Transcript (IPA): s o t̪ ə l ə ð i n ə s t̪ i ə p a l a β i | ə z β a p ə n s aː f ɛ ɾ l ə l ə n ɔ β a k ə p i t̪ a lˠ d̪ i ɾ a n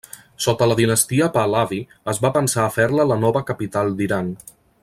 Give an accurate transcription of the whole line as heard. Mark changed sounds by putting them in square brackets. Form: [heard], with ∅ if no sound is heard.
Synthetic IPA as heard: s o t̪ ə l ə ð i n ə s t̪ i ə p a l a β i | ə z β a p ə n s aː f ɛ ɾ l ə l ə n ɔ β [ə] k ə p i t̪ a lˠ d̪ i ɾ a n

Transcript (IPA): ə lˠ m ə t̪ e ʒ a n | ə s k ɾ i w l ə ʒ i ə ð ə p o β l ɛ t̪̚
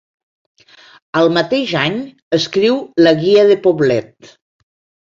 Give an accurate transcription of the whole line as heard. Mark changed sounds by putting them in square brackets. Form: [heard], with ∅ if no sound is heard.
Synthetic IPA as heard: ə lˠ m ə t̪ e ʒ a [ɲ] | ə s k ɾ i w l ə [ɣ] i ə ð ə p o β l ɛ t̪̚

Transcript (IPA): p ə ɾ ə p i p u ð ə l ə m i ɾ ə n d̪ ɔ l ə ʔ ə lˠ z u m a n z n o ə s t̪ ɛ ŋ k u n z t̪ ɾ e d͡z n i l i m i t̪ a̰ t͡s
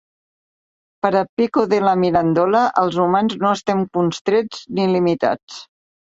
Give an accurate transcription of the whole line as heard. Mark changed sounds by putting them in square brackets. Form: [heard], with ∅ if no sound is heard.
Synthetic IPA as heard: p ə ɾ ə p i [k] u ð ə l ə m i ɾ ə n d̪ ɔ l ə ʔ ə lˠ z u m a n z n o ə s t̪ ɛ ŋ k u n [s] t̪ ɾ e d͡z n i l i m i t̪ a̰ t͡s

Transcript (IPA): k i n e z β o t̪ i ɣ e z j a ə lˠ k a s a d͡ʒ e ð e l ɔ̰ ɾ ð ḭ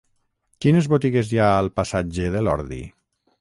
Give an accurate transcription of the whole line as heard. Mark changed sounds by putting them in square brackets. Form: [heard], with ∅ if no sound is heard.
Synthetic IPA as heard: k i n e z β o t̪ i ɣ e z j a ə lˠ [p] a s a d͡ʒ e ð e l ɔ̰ ɾ ð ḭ

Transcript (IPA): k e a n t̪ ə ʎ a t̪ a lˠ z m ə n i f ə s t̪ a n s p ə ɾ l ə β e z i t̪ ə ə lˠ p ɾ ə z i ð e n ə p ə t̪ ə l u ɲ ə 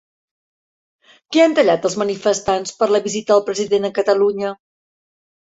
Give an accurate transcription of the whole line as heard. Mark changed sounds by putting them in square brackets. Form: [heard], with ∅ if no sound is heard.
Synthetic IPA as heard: k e a n t̪ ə ʎ a t̪ [ə] lˠ z m ə n i f ə s t̪ a n s p ə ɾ l ə β [i] z i t̪ ə ə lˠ p ɾ ə z i ð e n ə [k] ə t̪ ə l u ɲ ə

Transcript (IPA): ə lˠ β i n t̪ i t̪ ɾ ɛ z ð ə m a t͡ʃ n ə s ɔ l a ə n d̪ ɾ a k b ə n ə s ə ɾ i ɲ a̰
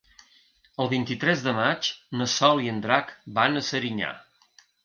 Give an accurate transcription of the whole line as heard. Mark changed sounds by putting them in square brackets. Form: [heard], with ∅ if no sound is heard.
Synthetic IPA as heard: ə lˠ β i n t̪ i t̪ ɾ ɛ z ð ə m a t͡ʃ n ə s ɔ l [i] ə n d̪ ɾ a k b [a] n ə s ə ɾ i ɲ a̰

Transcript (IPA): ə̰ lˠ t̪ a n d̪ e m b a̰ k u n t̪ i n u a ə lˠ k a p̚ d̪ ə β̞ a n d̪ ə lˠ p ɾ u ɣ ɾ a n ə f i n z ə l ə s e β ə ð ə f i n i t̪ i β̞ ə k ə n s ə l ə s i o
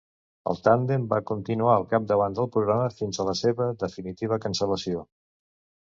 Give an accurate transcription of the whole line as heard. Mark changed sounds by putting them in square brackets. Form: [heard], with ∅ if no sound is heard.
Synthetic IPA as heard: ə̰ lˠ t̪ a n d̪ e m b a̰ k u n t̪ i n u a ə lˠ k a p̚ d̪ ə β̞ a n d̪ ə lˠ p ɾ u ɣ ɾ a [m] ə f i n z ə l ə s e β ə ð ə f i n i t̪ i β̞ ə k ə n s ə l ə s i o

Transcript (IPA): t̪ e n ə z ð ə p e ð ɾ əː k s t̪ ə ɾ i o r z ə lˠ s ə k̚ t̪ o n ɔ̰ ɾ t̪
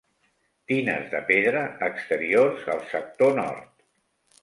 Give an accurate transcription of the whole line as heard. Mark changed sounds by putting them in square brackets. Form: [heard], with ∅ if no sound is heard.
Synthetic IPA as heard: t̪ [i] n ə z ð ə p e ð ɾ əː k s t̪ ə ɾ i o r z ə lˠ s ə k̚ t̪ o n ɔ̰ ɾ t̪

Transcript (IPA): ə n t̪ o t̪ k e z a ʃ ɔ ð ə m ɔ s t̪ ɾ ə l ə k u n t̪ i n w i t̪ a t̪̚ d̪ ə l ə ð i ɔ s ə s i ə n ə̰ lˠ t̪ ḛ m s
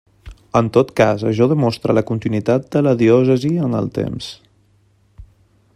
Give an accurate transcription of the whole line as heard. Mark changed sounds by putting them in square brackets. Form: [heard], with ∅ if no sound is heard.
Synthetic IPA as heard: ə n t̪ o t̪ k [a] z [ə] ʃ ɔ ð ə m ɔ s t̪ ɾ ə l ə k u n t̪ i n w i t̪ a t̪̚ d̪ ə l ə ð i ɔ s ə [z] i ə n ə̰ lˠ t̪ ḛ m s

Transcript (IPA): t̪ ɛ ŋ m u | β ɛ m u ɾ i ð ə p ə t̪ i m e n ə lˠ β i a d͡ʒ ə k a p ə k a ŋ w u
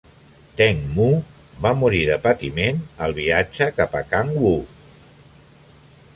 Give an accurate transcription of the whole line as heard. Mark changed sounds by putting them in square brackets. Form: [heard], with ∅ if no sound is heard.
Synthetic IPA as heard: t̪ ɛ ŋ m u | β [a] m u ɾ i ð ə p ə t̪ i m e n ə lˠ β i a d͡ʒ ə k a p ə k a ŋ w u

